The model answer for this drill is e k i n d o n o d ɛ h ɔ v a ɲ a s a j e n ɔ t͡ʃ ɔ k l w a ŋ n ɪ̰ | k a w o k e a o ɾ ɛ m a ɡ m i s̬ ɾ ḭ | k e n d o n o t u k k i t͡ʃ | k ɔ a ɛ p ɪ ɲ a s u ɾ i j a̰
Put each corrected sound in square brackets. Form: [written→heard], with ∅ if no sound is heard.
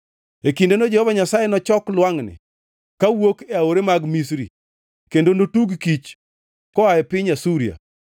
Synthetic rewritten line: e k i n d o n o [d→d͡ʒ] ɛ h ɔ v a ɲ a s a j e n ɔ t͡ʃ ɔ k l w a ŋ n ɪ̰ | k a w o k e a o ɾ [ɛ→e] m a ɡ m i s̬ ɾ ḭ | k e n d o n o t u [k→ɡ] k i t͡ʃ | k ɔ a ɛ p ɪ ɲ a s u ɾ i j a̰